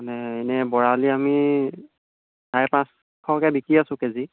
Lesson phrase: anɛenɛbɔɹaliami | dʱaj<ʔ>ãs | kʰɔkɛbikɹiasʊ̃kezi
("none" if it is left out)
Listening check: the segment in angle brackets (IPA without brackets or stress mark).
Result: p